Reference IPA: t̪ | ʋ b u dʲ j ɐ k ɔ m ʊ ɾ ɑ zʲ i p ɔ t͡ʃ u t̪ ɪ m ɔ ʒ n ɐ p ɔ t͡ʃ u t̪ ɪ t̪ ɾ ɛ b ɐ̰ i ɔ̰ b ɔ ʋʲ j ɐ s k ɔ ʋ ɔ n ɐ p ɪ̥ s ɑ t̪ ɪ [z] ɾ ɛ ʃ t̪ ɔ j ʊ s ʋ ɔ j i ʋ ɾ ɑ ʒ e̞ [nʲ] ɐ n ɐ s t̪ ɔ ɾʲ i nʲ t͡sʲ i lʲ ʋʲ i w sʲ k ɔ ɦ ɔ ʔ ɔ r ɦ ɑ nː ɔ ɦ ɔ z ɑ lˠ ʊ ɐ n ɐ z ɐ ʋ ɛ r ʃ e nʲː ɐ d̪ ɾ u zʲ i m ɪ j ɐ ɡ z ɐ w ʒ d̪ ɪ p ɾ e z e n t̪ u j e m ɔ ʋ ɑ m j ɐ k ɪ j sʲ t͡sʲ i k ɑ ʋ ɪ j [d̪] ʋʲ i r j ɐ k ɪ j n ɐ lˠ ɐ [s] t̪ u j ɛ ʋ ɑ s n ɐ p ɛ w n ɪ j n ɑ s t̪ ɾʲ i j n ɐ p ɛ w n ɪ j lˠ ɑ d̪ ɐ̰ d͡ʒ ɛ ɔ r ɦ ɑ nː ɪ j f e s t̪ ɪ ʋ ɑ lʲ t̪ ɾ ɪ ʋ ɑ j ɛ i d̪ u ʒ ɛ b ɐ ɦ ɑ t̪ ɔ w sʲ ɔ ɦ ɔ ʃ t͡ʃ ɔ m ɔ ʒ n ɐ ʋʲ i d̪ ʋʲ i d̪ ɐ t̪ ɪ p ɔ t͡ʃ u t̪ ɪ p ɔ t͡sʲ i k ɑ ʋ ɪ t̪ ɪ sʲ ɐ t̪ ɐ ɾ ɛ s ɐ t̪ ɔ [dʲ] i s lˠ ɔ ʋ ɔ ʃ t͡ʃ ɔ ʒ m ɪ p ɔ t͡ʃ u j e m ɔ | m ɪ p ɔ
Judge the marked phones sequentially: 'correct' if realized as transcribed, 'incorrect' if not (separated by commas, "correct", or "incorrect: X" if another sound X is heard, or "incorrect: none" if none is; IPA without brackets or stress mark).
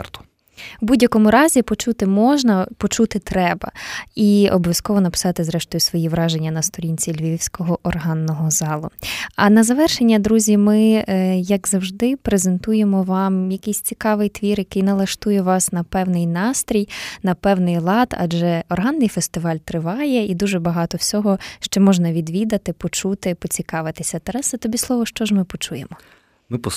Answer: correct, incorrect: nʲː, incorrect: t̪, incorrect: ʃ, incorrect: bʲ